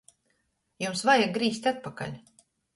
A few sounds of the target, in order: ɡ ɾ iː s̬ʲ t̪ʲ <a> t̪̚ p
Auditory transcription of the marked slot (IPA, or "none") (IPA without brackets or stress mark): a